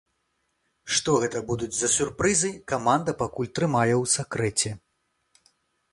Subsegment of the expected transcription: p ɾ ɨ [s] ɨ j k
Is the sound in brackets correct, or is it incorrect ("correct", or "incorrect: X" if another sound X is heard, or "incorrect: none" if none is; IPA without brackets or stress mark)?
incorrect: z